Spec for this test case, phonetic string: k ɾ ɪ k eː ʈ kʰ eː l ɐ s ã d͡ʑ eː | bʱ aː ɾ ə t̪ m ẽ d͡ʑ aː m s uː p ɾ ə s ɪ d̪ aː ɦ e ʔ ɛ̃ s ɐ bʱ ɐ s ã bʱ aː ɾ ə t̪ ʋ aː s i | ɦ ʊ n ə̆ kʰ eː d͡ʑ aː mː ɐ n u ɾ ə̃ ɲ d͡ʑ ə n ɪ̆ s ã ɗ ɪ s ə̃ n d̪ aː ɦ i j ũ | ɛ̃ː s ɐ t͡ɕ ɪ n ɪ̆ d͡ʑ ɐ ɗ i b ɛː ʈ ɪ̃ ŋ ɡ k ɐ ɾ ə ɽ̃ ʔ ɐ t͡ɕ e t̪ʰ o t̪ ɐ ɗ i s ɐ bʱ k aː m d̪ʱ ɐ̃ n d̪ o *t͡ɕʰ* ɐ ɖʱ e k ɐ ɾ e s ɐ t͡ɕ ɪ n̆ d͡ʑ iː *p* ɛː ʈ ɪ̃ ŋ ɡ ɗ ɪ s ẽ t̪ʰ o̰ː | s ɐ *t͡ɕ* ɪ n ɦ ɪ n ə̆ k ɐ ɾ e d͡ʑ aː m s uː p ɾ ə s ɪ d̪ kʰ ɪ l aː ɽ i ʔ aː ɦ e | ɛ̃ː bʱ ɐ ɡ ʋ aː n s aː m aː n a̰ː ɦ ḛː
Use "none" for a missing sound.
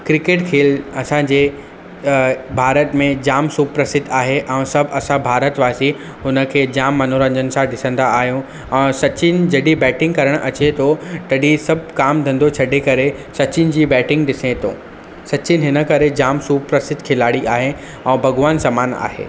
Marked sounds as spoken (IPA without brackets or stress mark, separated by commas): t͡ɕʰ, b, t͡ɕ